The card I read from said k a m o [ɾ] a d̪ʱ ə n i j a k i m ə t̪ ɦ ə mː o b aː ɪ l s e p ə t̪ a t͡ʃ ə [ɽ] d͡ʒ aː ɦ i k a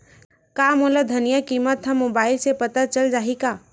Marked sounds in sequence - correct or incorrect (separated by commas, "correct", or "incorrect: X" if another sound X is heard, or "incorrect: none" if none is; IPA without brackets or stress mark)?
incorrect: l, incorrect: l